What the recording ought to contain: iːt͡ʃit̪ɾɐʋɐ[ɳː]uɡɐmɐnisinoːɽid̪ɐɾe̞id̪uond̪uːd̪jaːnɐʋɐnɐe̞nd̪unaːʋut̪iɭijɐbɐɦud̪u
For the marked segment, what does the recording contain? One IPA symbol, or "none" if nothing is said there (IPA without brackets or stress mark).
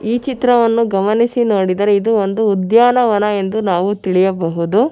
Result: nː